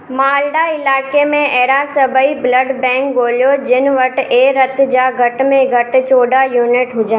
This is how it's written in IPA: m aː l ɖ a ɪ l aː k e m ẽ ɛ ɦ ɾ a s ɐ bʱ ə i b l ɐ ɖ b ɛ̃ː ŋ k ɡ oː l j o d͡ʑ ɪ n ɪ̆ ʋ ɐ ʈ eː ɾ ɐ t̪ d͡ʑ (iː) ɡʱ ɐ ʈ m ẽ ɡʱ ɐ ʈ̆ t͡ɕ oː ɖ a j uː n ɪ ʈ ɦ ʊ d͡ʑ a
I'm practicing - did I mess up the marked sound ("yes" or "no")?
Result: yes